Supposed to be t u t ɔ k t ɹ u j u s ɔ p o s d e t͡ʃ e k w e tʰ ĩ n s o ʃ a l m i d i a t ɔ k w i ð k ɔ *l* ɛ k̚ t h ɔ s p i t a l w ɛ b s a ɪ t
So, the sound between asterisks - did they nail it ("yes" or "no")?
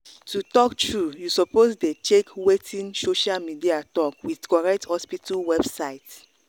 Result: no